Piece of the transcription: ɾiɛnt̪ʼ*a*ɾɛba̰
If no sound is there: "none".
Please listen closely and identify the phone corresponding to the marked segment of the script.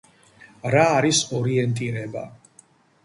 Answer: i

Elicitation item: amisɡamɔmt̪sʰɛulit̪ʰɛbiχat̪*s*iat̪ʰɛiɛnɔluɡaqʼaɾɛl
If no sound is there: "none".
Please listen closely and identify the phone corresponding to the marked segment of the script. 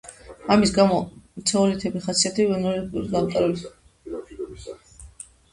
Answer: s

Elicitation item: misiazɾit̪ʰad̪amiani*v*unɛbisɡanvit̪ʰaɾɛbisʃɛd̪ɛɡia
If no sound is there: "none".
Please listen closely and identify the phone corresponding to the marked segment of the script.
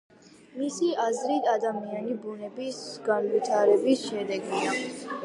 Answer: b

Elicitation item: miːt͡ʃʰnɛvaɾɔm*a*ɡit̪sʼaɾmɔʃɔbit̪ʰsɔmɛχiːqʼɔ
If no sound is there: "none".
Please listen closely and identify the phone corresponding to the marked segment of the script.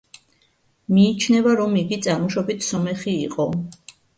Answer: i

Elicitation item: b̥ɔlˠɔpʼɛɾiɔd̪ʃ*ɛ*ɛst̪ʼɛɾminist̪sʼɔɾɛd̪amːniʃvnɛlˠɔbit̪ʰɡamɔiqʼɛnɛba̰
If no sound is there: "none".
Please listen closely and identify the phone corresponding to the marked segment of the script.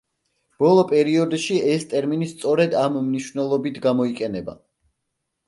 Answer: i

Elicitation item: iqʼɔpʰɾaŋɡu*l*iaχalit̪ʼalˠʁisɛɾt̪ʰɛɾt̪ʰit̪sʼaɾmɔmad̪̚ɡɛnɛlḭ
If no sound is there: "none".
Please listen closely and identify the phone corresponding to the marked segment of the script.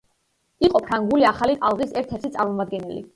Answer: l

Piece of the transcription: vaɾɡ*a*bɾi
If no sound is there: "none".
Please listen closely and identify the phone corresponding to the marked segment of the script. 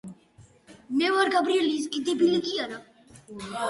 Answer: a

